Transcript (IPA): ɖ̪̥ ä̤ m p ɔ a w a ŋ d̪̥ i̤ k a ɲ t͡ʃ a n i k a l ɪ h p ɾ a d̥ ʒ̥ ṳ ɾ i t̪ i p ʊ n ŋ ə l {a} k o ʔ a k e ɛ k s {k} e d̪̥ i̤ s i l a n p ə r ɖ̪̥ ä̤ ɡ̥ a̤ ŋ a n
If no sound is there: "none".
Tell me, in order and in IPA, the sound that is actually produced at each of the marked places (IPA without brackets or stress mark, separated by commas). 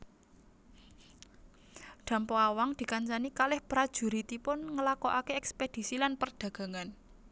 a, p